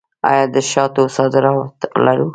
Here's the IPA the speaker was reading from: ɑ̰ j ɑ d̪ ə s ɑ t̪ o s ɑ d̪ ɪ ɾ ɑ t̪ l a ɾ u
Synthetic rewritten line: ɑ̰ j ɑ d̪ ə ʃ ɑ t̪ o s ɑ d̪ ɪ ɾ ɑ t̪ l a ɾ u